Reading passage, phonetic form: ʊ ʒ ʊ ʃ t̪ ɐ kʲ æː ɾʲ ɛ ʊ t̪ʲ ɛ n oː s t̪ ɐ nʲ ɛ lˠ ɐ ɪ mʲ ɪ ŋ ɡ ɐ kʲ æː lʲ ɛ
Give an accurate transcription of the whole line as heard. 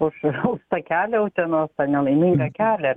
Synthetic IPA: ʊ ʃ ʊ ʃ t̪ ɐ kʲ æː lʲ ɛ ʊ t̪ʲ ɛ n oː s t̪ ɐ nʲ ɛ lˠ ɐ ɪ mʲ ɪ ŋ ɡ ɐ kʲ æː lʲ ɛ

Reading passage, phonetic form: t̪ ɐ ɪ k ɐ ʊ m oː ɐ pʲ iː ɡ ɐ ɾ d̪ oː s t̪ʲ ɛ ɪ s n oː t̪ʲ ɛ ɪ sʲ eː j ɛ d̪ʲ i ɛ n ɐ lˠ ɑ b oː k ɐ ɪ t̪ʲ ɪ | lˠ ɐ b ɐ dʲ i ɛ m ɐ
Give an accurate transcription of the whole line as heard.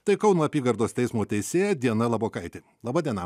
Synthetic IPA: t̪ ɐ ɪ k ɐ ʊ n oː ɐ pʲ iː ɡ ɐ ɾ d̪ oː s t̪ʲ ɛ ɪ s m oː t̪ʲ ɛ ɪ sʲ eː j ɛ d̪ʲ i ɛ n ɐ lˠ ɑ b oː k ɐ ɪ t̪ʲ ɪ | lˠ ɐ b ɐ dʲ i ɛ n ɐ

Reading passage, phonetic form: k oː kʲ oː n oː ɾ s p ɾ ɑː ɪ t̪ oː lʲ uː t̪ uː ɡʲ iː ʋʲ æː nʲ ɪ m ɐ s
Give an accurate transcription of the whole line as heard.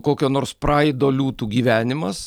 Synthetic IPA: k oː kʲ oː n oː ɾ s p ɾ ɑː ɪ d̪ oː lʲ uː t̪ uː ɡʲ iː ʋʲ æː nʲ ɪ m ɐ s

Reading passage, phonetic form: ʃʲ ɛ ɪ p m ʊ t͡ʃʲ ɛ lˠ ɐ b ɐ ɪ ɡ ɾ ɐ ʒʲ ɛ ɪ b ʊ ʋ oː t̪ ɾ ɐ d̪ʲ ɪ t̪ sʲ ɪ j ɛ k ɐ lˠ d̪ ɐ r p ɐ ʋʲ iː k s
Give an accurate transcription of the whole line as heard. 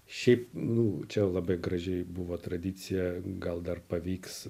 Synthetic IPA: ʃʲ ɛ ɪ p n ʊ t͡ʃʲ ɛ lˠ ɐ b ɐ ɪ ɡ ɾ ɐ ʒʲ ɛ ɪ b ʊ ʋ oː t̪ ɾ ɐ d̪ʲ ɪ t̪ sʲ ɪ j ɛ ɡ ɐ lˠ d̪ ɐ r p ɐ ʋʲ iː k s

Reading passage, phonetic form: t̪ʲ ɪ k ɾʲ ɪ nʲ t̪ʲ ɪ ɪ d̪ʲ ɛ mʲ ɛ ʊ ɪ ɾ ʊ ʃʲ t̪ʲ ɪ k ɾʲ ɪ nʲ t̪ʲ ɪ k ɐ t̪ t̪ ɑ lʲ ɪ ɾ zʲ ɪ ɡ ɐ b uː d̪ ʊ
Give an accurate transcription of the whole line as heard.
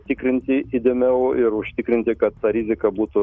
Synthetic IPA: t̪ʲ ɪ k ɾʲ ɪ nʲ t̪ʲ ɪ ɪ d̪ʲ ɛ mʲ ɛ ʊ ɪ ɾ ʊ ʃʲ t̪ʲ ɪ k ɾʲ ɪ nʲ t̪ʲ ɪ k ɐ t̪ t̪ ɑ ɾʲ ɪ zʲ ɪ k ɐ b uː t̪ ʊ

